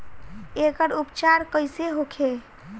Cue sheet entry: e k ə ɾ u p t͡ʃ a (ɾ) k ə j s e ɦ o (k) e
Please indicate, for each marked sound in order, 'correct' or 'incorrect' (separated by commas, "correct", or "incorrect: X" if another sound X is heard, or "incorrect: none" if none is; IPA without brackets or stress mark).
correct, incorrect: kʰ